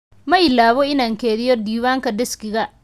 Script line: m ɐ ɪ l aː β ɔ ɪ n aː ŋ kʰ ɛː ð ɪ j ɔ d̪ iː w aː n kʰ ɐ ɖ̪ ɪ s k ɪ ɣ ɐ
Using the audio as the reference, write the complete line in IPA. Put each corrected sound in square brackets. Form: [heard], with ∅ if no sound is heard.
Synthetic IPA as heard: m ɐ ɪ l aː β ɔ ɪ n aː ŋ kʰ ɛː ð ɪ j ɔ d̪ iː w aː [ŋ] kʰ ɐ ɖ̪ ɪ s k ɪ ɣ ɐ